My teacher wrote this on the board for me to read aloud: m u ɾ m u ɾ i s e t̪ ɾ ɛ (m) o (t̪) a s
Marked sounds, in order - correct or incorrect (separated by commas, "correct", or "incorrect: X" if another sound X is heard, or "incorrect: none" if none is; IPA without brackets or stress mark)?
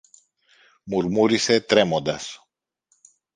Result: correct, incorrect: d̪